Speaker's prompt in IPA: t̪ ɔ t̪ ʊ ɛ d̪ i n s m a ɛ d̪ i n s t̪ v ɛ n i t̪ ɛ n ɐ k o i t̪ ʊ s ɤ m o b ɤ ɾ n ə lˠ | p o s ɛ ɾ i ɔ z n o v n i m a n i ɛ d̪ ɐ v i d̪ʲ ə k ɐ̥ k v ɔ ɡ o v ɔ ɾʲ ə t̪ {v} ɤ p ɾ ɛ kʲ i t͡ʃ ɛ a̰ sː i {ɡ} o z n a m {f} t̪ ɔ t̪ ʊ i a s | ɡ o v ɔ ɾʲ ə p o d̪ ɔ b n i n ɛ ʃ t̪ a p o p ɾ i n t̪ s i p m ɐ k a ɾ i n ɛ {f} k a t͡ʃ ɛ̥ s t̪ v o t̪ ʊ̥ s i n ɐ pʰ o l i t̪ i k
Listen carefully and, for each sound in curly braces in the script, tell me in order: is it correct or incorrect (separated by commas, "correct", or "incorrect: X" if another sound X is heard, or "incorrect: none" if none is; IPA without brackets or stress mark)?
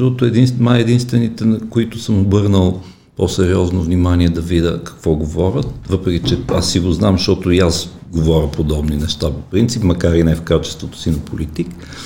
correct, correct, incorrect: ʃ, correct